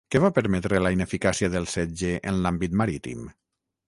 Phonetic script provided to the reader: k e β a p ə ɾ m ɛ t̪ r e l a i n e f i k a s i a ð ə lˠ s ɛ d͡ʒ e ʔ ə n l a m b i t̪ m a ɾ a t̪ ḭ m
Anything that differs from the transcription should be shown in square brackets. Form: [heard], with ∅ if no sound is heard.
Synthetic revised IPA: k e β a p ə ɾ m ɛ t̪ [ɾ] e l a i n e f i k a s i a ð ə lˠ s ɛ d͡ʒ e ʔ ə n l a m b i t̪ m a ɾ [i] t̪ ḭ m